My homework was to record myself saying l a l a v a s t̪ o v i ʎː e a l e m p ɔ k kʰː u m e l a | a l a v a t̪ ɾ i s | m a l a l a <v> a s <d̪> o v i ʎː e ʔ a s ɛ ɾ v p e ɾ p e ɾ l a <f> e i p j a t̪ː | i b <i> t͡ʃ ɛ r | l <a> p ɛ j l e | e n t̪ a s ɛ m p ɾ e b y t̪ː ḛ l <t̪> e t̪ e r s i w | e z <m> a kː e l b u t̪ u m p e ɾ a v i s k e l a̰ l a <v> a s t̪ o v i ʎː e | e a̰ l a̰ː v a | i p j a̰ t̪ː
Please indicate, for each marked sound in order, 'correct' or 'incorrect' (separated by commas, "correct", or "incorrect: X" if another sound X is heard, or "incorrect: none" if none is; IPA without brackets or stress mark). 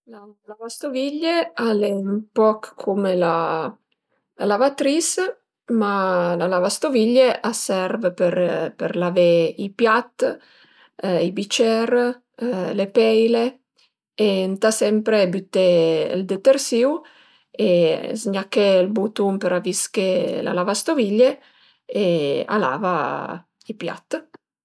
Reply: correct, incorrect: t̪, incorrect: v, correct, incorrect: e, incorrect: d̪, incorrect: ɲ, correct